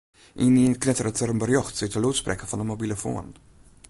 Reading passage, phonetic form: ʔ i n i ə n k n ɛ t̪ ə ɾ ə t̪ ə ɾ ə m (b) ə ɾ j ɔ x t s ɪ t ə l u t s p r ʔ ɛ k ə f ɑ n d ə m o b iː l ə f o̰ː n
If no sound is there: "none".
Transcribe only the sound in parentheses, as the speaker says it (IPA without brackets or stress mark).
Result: b